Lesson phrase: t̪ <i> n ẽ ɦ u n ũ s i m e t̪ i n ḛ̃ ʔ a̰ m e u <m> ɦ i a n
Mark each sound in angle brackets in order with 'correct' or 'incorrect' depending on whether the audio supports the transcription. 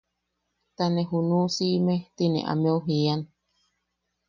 incorrect, incorrect

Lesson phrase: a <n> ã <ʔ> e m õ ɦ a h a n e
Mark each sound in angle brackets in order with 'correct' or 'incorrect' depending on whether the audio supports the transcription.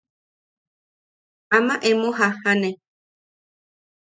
incorrect, correct

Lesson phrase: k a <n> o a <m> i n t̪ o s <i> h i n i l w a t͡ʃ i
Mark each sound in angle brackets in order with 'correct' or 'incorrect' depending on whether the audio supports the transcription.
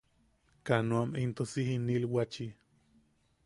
correct, correct, correct

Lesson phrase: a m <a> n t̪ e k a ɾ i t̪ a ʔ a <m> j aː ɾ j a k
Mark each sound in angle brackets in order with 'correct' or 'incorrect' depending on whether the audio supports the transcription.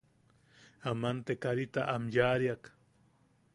correct, correct

